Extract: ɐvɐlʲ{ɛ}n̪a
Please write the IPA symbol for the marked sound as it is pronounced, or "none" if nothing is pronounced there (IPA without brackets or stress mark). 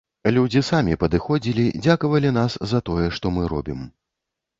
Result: i